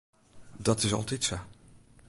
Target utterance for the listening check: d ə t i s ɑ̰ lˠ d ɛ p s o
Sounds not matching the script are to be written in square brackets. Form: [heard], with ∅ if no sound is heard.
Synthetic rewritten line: d [ɑ] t [ɪ] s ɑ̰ lˠ [t] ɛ [t] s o